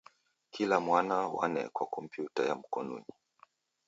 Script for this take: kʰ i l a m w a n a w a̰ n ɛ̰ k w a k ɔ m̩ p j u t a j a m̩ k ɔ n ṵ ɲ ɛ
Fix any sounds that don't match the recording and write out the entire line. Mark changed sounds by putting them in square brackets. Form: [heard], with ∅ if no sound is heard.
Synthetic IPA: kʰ i l a m w a n a w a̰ n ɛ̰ k w a k ɔ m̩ p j u t a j a m̩ k ɔ n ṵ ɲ [i]